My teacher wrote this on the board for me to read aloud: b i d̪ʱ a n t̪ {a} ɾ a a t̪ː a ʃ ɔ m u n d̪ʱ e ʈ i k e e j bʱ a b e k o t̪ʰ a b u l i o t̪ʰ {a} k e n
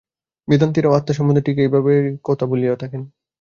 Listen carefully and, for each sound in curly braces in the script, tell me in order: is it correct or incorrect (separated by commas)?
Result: incorrect, correct